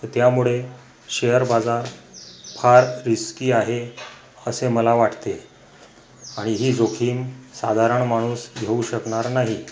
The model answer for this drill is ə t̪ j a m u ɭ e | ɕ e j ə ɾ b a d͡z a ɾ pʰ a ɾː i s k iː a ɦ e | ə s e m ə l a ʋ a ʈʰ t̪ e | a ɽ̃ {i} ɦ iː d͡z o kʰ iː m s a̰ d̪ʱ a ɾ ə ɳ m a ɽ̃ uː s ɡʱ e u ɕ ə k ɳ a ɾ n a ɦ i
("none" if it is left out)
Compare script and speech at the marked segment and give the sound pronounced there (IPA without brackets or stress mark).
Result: i